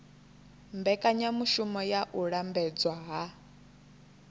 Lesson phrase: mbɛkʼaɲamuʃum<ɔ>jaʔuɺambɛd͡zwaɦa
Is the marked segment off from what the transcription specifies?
no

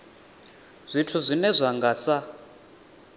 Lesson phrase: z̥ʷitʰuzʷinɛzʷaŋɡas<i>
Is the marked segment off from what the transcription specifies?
yes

